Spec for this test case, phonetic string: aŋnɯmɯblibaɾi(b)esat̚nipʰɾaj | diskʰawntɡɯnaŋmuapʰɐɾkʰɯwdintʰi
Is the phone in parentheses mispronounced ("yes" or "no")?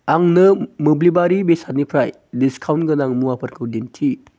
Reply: no